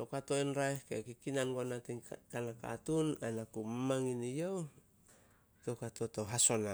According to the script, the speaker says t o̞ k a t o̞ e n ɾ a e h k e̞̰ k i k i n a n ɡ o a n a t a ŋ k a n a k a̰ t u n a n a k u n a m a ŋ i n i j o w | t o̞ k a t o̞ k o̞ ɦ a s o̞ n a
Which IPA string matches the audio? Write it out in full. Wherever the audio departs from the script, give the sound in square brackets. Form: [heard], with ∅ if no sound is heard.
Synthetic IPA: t o̞ k a t o̞ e n ɾ a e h k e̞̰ k i k i n a n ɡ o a n a t [i] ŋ k a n a k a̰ t u n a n a k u [m] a m a ŋ i n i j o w | t o̞ k a t o̞ [t] o̞ ɦ a s o̞ n a